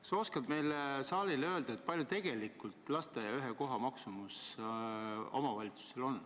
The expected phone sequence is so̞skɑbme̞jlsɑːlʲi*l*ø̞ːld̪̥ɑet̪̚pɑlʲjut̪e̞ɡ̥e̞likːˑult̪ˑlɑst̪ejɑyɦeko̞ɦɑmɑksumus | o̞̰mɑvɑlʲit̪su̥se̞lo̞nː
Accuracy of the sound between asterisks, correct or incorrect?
correct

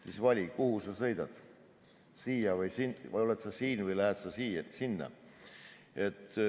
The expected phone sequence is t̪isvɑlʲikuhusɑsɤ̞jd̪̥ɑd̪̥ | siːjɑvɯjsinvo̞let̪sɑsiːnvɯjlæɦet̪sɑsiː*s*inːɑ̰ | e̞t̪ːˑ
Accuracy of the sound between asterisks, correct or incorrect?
correct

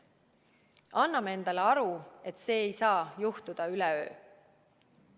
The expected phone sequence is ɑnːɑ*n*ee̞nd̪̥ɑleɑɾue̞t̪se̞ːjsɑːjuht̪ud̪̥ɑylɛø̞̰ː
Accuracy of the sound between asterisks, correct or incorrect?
incorrect: m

